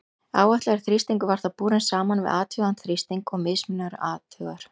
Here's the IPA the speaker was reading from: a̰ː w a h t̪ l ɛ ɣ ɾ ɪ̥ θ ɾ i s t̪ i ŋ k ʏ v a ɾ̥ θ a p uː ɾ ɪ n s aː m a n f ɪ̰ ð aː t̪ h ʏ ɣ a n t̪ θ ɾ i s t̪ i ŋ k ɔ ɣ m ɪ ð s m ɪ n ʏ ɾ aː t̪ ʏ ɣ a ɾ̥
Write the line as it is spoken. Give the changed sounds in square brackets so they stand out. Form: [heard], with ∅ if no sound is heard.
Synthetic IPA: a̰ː w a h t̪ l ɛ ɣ ɾ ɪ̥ θ ɾ i s t̪ i ŋ k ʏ v a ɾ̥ θ a p uː ɾ ɪ n s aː m a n [v] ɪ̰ ð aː t̪ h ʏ ɣ a n t̪ θ ɾ i s t̪ i ŋ k ɔ ɣ m ɪ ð s m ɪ n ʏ ɾ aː t̪ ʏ ɣ a ɾ̥